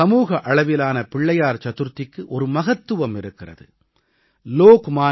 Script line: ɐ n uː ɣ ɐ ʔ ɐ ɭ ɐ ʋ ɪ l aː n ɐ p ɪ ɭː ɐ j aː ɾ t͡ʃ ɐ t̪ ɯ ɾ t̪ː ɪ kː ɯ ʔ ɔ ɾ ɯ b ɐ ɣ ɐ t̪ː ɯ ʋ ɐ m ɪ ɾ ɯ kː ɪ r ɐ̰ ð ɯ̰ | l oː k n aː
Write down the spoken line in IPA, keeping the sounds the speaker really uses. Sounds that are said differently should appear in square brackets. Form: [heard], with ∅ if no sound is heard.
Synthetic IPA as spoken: ɐ [m] uː ɣ ɐ ʔ ɐ ɭ ɐ ʋ ɪ l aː n ɐ p ɪ ɭː ɐ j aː ɾ t͡ʃ ɐ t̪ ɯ ɾ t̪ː ɪ kː ɯ ʔ ɔ ɾ ɯ [m] ɐ ɣ ɐ t̪ː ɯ ʋ ɐ m ɪ ɾ ɯ kː ɪ r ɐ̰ ð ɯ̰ | l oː k [m] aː